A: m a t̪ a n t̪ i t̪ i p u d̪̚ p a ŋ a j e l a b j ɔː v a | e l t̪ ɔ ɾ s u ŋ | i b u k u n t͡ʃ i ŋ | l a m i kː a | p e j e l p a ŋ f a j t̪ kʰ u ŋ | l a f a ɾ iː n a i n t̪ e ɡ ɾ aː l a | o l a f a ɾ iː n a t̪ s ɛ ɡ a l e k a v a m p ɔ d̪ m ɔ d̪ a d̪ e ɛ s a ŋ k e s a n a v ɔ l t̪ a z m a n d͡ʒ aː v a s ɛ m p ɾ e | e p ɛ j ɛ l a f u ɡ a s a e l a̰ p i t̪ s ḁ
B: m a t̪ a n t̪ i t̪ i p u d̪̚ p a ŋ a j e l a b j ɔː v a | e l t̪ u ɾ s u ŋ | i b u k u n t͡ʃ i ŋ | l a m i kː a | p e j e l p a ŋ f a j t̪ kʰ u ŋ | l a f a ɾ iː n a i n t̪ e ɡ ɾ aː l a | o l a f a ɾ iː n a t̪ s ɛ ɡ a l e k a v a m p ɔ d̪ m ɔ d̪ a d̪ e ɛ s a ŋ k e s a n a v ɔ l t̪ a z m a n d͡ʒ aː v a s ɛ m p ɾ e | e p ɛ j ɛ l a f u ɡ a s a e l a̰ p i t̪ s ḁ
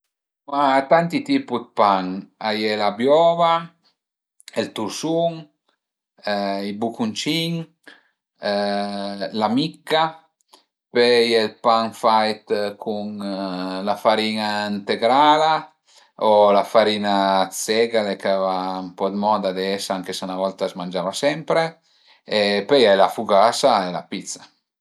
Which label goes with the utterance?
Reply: B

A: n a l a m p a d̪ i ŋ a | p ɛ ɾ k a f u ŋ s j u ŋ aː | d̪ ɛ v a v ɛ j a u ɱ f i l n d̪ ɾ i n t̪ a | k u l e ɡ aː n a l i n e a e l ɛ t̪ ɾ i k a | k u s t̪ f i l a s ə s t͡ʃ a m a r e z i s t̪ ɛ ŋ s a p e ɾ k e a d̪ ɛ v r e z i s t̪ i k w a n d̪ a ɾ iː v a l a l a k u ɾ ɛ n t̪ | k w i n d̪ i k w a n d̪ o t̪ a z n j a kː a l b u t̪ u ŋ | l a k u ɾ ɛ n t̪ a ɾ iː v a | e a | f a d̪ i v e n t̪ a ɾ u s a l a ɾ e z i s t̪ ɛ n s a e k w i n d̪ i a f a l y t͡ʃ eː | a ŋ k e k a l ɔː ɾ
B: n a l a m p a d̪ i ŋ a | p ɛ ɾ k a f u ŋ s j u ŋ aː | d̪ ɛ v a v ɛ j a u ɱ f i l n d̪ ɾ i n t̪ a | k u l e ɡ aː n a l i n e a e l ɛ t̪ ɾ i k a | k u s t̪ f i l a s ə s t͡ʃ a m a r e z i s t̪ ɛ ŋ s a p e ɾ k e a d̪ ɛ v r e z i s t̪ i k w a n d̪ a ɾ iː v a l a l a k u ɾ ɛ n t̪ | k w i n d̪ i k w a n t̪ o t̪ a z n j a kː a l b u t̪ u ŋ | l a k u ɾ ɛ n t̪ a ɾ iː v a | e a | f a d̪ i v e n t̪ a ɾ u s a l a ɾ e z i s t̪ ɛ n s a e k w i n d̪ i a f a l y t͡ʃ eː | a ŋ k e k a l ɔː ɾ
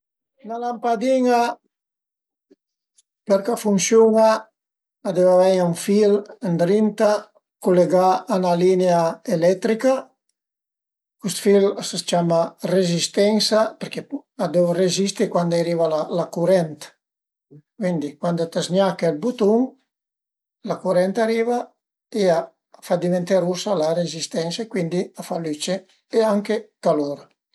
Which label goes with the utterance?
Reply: A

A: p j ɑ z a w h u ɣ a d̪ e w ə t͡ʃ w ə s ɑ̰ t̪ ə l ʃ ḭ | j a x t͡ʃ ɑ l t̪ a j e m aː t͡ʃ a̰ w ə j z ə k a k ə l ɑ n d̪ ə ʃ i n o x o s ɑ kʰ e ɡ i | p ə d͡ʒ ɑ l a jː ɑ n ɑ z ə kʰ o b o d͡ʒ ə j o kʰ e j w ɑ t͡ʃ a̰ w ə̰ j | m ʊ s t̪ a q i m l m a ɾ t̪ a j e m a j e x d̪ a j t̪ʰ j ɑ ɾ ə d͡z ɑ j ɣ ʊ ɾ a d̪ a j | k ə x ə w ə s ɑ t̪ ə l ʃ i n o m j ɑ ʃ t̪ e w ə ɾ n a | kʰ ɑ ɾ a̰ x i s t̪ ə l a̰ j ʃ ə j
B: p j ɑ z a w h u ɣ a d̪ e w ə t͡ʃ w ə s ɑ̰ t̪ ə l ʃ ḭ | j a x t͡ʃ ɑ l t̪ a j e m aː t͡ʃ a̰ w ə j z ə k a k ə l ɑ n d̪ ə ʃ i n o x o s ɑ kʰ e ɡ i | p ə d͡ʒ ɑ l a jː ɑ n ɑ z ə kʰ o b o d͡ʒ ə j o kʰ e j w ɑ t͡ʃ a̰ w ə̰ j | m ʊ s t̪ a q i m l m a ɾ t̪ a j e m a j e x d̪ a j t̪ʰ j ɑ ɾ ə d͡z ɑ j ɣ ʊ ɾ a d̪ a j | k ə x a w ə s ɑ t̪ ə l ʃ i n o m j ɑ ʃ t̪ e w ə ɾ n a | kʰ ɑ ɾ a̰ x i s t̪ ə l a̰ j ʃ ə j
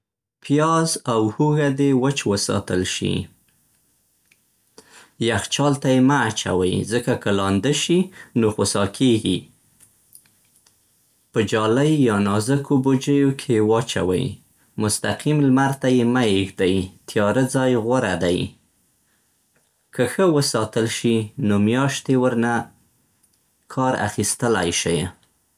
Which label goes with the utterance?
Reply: A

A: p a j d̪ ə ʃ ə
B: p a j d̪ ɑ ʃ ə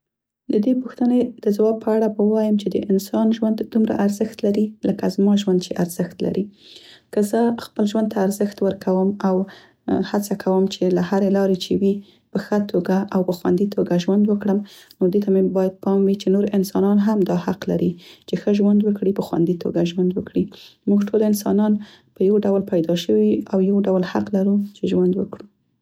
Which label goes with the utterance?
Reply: B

